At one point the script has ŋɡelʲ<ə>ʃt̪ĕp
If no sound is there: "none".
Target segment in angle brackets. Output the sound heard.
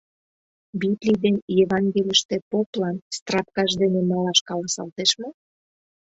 ə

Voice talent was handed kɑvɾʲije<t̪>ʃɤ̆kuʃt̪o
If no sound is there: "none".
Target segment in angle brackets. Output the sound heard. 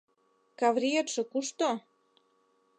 t̪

